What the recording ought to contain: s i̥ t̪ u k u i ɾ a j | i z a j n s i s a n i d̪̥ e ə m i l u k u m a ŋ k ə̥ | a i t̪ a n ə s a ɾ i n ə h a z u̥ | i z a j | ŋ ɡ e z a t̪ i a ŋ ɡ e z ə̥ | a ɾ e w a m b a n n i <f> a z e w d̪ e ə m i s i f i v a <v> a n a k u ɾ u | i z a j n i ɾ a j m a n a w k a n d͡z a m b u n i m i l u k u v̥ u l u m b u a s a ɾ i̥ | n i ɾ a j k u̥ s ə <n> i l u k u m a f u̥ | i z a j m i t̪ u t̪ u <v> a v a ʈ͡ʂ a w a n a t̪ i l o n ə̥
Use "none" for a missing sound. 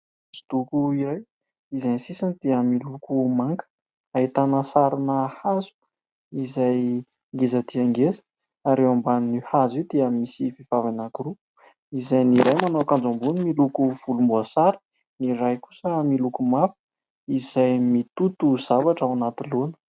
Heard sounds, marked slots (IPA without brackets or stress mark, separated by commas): h, v, m, z